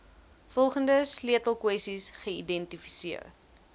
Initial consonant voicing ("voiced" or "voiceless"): voiceless